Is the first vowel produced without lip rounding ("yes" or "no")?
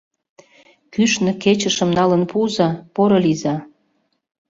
no